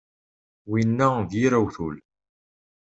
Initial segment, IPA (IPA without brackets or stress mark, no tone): w